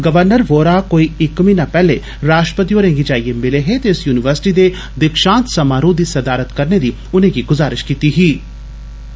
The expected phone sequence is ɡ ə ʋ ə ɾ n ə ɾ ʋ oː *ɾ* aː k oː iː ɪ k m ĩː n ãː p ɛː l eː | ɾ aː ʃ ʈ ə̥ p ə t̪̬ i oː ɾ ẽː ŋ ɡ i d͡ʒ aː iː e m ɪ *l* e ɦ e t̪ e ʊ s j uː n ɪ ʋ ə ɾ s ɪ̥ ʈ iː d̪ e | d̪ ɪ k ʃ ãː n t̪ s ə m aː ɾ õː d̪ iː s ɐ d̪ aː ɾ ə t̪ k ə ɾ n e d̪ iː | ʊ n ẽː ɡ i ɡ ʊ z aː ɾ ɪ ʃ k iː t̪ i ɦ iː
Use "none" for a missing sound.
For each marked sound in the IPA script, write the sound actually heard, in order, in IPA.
ɾ, l

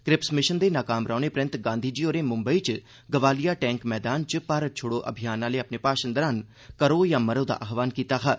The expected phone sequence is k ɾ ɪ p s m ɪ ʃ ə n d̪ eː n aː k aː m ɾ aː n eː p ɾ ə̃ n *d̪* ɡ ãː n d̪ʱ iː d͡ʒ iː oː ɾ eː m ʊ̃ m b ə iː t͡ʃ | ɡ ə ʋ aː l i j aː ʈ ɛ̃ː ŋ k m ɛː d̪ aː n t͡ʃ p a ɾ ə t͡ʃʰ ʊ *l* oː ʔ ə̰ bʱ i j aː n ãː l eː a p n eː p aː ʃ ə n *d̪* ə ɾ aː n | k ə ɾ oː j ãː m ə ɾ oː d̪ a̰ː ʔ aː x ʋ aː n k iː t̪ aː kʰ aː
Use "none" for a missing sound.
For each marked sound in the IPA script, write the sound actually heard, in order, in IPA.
t̪, ɽ, d̪

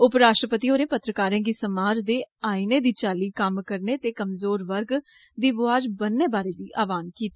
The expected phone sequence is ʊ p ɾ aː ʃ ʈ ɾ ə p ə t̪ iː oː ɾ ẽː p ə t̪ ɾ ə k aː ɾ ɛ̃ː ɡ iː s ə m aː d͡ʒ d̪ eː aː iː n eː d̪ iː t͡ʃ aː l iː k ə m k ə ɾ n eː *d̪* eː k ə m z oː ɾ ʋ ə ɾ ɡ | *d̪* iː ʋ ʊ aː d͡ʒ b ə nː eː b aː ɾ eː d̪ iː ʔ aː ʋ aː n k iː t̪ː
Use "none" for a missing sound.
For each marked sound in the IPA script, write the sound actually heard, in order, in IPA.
t̪, d̪

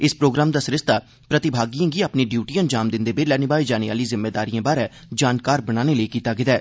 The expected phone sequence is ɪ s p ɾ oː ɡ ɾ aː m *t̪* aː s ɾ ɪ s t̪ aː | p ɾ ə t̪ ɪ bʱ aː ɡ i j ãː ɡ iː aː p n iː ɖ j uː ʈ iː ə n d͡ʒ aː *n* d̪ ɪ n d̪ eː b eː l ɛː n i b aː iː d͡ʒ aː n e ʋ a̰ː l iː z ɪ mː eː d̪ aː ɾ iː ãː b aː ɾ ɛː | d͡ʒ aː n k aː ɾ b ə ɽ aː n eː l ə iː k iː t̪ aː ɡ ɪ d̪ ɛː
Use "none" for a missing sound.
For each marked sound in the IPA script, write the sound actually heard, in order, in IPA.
d̪, m

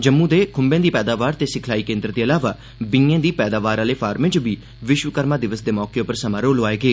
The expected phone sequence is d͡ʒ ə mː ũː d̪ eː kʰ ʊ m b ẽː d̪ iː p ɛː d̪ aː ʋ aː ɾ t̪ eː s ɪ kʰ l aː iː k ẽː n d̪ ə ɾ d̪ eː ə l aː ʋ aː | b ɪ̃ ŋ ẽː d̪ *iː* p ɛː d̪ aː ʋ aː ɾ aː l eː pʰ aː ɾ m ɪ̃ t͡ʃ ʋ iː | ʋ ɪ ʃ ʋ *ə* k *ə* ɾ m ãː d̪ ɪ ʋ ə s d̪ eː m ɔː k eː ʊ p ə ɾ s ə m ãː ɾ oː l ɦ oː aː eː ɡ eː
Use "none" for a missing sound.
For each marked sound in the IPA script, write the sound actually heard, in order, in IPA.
iː, ə, ə

